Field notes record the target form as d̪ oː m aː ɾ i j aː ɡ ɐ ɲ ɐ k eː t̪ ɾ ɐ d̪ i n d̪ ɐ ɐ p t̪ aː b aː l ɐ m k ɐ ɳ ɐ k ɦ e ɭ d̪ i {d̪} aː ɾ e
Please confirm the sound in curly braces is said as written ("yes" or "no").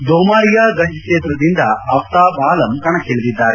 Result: no